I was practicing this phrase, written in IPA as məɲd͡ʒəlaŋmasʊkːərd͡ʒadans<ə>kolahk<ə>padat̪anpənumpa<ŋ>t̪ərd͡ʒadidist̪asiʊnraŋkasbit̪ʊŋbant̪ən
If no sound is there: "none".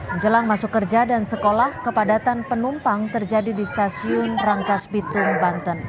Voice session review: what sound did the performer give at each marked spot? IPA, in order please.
ə, ə, ŋ

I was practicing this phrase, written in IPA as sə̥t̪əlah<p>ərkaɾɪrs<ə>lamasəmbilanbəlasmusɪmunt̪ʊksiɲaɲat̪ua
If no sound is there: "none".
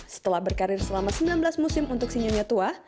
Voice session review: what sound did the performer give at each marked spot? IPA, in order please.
b, ə

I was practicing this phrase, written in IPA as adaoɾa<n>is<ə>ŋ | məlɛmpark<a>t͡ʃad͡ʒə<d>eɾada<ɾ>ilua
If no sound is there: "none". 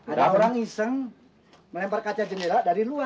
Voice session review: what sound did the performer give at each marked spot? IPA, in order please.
ŋ, ə, a, n, ɾ

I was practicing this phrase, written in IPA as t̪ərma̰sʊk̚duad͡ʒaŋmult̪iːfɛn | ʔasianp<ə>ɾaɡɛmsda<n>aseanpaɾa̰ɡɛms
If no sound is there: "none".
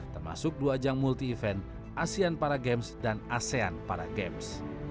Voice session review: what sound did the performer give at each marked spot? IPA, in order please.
a, n

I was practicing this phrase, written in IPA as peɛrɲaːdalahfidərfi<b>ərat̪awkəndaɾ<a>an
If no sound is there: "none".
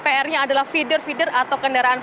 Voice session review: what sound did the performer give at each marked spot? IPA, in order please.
d, a

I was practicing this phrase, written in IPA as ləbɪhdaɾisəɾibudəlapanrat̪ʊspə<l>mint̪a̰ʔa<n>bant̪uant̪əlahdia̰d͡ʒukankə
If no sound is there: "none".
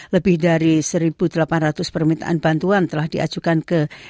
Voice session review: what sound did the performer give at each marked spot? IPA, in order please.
r, n

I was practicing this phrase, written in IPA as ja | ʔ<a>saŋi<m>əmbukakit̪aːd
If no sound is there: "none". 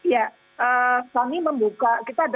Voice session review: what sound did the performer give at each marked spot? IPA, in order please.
ə, m

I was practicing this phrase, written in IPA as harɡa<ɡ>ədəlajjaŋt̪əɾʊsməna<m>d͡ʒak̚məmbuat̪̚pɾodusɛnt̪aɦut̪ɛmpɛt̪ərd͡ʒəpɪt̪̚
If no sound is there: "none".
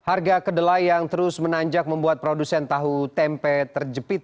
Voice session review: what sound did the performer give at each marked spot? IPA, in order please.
k, ɲ

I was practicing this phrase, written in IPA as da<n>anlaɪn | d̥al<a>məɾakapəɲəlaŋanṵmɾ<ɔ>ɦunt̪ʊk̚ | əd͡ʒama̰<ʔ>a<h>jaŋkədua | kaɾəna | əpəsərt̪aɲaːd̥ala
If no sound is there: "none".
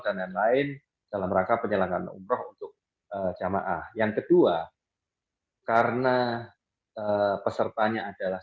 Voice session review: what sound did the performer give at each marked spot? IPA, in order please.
n, a, ɔ, ʔ, h

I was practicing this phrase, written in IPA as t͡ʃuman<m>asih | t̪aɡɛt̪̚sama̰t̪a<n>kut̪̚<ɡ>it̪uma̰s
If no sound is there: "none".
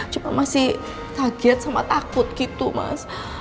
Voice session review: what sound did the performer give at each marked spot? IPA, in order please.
m, none, k

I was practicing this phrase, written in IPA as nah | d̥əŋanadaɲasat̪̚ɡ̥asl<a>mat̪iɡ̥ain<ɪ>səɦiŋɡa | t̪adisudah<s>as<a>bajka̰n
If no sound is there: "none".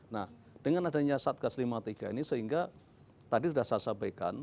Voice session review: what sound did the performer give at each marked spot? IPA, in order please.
i, i, s, a

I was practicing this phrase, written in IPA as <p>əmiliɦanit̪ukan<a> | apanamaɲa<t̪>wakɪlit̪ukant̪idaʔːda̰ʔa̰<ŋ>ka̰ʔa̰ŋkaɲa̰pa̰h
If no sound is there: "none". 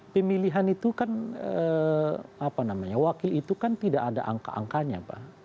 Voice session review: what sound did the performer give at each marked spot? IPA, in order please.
p, ə, none, ŋ

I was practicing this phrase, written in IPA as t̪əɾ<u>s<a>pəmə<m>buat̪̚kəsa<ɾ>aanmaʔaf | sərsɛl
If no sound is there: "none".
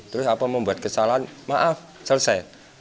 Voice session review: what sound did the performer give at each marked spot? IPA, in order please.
ʊ, a, m, l

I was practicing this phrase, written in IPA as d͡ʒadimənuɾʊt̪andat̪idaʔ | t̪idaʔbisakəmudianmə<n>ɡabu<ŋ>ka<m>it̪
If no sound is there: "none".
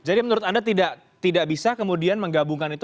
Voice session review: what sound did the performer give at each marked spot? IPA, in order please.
ŋ, ŋ, n

